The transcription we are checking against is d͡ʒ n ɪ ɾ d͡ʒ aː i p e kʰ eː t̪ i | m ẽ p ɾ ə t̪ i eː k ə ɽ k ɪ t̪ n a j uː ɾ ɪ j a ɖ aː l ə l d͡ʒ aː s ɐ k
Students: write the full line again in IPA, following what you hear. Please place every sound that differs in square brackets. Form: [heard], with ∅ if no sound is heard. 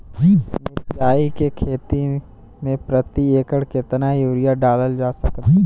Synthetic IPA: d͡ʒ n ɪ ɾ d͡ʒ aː i [k] e kʰ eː t̪ i | m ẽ p ɾ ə t̪ i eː k ə ɽ k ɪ t̪ n a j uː ɾ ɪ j a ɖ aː l ə l d͡ʒ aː s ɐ k